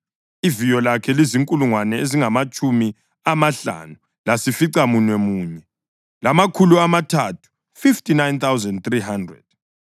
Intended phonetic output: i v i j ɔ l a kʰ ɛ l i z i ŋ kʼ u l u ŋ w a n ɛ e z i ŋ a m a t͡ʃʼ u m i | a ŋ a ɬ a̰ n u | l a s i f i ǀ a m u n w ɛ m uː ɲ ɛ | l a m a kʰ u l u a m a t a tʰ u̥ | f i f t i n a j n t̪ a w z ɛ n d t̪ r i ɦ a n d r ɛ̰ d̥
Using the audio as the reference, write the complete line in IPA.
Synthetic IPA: i v i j ɔ l a kʰ ɛ l i z i ŋ kʼ u l u ŋ w a n ɛ e z i ŋ a m a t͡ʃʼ u m i | a m a ɬ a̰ n u | l a s i f i ǀ a m u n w ɛ m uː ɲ ɛ | l a m a kʰ u l u a m a tʰ a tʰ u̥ | f i f t i n a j n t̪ a w z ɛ n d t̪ r i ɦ a n d r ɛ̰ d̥